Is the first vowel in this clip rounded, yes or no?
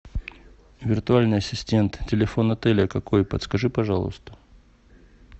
no